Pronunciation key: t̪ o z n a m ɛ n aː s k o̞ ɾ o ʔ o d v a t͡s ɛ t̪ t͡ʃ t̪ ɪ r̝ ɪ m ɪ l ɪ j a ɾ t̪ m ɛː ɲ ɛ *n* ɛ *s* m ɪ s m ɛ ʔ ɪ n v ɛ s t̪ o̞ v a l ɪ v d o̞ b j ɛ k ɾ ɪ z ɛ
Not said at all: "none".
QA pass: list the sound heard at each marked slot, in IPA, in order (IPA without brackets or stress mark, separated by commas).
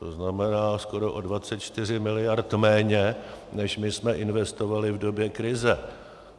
n, ʃ